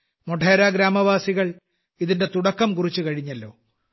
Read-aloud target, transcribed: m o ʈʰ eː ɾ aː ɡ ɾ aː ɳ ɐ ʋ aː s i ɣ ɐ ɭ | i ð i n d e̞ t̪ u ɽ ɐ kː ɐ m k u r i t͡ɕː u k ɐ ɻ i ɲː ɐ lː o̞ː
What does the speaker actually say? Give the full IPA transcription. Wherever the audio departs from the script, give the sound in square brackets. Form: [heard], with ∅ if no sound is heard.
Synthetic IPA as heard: m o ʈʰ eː ɾ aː ɡ ɾ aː [m] ɐ ʋ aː s i ɣ ɐ ɭ | i ð i n d e̞ t̪ u ɽ ɐ kː ɐ m k u r i t͡ɕː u k ɐ ɻ i ɲː ɐ lː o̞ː

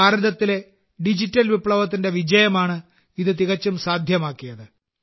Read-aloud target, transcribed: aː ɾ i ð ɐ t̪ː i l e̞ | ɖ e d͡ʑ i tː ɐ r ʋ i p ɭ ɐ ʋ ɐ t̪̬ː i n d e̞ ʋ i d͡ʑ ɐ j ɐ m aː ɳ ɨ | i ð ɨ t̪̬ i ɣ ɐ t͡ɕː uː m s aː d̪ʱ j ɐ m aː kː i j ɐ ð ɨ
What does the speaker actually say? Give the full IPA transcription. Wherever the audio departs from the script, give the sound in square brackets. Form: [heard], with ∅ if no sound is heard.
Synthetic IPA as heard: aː ɾ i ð ɐ t̪ː i l e̞ | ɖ [i] d͡ʑ i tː ɐ [l] ʋ i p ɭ ɐ ʋ ɐ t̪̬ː i n d e̞ ʋ i d͡ʑ ɐ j ɐ m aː ɳ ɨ | i ð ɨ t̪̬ i ɣ ɐ t͡ɕː [u] m s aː d̪ʱ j ɐ m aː kː i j ɐ ð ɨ

